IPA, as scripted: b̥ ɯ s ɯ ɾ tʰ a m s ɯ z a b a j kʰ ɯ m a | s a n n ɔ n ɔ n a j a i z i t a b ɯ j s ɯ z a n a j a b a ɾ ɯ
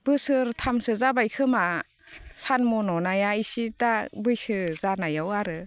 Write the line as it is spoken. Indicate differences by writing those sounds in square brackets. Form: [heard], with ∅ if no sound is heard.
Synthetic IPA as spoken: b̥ ɯ s ɯ ɾ tʰ a m s ɯ z a b a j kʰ ɯ m a | s a n [m] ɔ n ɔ n a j a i [s] i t a b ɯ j s ɯ z a n a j a [w] a ɾ ɯ